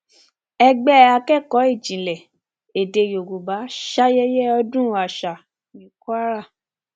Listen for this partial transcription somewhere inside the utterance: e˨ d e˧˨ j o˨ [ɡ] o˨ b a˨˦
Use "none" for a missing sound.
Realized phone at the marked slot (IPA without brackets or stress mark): ɡ